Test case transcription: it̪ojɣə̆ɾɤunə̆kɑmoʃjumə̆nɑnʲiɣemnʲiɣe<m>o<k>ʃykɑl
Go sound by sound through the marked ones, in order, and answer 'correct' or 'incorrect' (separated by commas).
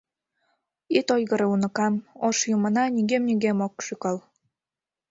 correct, correct